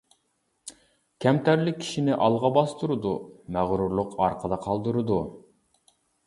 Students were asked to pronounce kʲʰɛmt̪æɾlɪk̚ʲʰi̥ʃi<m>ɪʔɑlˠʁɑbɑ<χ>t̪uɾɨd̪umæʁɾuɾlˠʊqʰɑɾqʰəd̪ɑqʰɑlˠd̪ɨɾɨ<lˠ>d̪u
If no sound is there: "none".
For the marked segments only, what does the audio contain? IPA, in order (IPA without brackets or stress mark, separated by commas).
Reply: n, s, none